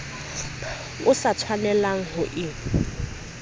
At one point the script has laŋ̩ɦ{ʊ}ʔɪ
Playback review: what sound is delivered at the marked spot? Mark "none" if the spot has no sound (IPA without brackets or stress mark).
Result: ʊ